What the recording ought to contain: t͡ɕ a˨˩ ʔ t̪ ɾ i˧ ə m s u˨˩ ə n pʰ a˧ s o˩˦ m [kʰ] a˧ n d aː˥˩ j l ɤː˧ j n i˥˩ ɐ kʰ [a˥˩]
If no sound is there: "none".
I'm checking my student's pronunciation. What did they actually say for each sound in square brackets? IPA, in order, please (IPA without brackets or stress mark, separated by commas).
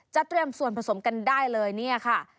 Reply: k, a˥˩